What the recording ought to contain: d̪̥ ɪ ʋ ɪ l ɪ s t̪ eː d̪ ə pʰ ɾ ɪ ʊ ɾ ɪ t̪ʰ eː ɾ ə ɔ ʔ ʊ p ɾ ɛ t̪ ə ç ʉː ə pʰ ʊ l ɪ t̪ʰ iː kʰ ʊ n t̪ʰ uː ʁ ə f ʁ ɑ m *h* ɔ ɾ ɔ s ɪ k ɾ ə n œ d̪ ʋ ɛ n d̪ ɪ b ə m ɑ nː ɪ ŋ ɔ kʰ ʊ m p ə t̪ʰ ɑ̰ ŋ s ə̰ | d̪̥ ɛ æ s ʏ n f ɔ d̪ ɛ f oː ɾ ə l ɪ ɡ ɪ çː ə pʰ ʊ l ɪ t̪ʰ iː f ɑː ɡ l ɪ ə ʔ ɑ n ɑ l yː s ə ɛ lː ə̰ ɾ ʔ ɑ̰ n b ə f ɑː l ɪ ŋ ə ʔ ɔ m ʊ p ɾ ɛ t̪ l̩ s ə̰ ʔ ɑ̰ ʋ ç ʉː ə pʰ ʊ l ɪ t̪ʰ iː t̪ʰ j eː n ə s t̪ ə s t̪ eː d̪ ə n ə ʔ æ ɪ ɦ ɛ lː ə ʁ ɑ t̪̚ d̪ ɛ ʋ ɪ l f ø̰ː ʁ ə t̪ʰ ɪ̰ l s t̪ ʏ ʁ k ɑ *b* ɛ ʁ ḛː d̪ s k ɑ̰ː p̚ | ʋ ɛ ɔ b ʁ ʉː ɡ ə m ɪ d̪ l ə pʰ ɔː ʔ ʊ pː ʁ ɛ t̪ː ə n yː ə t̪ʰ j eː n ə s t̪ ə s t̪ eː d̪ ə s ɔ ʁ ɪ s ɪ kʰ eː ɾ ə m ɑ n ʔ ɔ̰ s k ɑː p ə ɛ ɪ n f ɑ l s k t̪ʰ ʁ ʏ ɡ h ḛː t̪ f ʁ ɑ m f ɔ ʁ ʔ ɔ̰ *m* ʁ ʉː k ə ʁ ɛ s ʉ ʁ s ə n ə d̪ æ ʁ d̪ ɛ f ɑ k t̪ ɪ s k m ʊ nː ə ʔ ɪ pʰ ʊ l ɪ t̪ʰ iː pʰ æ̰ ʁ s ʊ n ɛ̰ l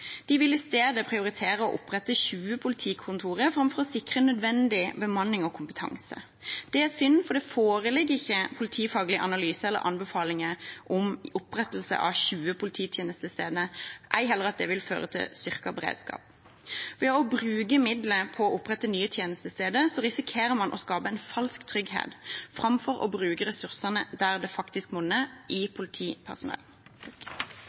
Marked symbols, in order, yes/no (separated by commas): no, yes, no